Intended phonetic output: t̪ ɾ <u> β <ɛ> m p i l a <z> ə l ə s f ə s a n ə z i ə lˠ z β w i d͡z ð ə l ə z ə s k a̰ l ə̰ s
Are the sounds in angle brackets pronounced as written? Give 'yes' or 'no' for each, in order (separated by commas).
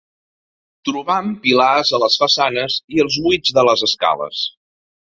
yes, no, yes